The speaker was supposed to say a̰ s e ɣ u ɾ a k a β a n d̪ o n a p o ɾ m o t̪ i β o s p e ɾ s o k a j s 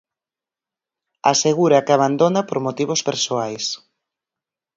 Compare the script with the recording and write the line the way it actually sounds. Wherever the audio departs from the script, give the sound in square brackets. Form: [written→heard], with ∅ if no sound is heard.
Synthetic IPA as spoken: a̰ s e ɣ u ɾ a k a β a n d̪ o n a p o ɾ m o t̪ i β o s p e ɾ s o [k→∅] a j s